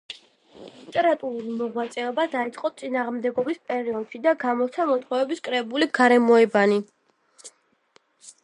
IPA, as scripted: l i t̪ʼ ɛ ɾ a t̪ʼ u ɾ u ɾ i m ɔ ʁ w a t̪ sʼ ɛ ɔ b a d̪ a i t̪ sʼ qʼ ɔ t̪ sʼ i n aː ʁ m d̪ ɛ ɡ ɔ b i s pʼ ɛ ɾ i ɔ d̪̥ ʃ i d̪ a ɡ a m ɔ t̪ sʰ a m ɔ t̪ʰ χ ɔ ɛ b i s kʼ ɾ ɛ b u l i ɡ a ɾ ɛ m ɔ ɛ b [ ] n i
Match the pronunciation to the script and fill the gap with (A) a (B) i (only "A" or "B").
A